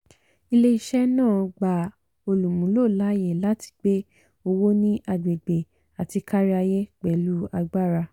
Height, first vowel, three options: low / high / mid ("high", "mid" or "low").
high